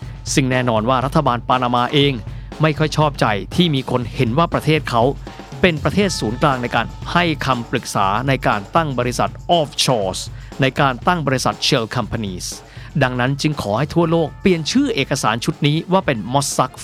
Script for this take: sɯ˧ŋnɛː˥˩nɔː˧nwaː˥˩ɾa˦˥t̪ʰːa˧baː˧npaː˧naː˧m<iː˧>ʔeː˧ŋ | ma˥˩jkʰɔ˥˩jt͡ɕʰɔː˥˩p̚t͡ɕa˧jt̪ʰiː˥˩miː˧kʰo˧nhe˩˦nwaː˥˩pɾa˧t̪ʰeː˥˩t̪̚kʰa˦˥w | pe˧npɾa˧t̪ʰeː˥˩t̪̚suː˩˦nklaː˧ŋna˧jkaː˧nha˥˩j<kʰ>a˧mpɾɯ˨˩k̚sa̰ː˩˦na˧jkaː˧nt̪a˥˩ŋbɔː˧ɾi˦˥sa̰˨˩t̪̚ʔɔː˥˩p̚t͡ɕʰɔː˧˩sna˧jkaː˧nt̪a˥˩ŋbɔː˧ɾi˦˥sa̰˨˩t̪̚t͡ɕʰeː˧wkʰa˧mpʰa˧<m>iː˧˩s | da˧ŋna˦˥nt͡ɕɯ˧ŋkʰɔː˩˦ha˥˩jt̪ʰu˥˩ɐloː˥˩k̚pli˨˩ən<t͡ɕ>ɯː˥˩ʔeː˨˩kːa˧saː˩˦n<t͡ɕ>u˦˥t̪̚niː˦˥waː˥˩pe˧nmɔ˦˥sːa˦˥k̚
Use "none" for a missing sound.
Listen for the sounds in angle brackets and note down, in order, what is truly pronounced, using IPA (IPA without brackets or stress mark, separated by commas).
aː˧, kʰ, n, t͡ɕʰ, t͡ɕʰ